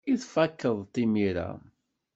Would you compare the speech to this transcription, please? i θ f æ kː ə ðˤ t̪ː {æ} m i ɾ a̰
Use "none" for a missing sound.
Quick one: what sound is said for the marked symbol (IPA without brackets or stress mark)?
i